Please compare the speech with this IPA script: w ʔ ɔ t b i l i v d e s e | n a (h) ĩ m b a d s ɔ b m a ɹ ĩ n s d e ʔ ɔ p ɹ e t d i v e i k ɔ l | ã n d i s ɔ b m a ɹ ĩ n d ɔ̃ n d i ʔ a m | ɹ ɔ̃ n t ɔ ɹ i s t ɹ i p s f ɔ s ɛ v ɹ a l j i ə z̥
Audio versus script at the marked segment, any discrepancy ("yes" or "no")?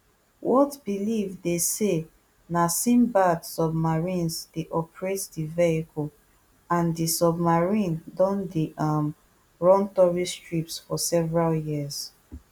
yes